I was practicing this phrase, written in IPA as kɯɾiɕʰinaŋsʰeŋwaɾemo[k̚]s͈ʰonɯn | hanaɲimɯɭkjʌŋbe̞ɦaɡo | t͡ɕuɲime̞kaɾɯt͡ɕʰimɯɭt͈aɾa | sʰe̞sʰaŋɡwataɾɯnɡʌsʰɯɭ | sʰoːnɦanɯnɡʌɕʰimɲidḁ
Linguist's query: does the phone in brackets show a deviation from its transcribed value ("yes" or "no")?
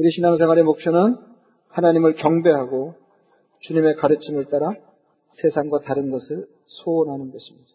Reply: no